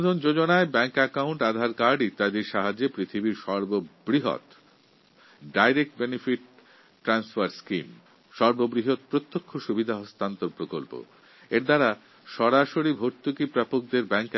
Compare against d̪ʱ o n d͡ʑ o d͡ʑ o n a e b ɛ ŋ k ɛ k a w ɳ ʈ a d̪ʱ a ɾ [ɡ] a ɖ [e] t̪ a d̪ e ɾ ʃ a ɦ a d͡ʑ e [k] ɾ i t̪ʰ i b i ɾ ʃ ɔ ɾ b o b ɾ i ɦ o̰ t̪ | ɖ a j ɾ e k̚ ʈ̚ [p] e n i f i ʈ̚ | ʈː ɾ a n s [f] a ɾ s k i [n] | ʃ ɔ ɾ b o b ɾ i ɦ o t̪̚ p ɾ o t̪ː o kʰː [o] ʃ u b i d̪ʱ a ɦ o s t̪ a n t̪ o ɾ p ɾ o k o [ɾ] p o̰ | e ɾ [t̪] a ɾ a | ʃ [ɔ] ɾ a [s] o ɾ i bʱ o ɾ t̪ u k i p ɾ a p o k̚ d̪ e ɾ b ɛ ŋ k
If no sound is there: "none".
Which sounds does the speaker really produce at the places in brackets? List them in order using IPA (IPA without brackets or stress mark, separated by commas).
k, i, p, b, f, m, o, l, d̪, ɔ, ʃ